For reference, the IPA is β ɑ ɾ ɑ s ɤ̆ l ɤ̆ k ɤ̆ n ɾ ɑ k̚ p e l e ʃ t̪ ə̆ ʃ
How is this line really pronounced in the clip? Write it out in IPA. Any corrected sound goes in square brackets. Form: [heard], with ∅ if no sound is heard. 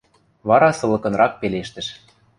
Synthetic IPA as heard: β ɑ ɾ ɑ s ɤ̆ l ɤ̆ k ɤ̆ n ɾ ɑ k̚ p e l e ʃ t̪ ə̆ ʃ